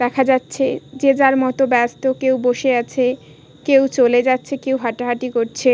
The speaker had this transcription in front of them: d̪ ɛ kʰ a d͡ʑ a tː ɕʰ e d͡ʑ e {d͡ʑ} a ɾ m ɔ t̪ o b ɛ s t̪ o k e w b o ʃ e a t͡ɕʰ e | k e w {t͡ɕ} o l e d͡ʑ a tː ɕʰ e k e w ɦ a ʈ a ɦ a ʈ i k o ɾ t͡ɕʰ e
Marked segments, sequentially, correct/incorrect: correct, correct

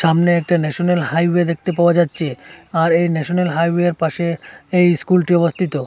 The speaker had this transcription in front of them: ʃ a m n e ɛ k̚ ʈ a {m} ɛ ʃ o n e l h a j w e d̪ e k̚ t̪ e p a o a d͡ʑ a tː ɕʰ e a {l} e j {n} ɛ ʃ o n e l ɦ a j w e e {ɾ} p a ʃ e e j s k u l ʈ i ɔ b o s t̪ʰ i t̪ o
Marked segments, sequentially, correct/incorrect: incorrect: n, incorrect: ɾ, correct, correct

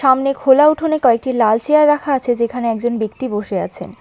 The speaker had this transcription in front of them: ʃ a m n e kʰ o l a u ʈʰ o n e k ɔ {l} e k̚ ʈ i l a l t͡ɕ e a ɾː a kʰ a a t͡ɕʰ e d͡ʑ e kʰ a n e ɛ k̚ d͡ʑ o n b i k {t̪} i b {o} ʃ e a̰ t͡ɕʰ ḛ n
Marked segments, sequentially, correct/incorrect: incorrect: none, correct, correct

